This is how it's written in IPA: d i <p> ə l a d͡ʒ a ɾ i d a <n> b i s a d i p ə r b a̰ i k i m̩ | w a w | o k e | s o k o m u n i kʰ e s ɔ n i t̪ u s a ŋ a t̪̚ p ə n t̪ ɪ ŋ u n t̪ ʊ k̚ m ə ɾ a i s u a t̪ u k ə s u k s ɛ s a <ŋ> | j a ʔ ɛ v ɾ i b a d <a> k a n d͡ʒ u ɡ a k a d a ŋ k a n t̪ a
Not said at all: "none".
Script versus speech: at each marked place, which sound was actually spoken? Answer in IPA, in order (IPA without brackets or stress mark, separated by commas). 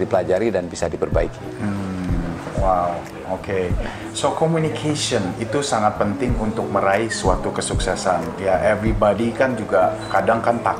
p, n, n, i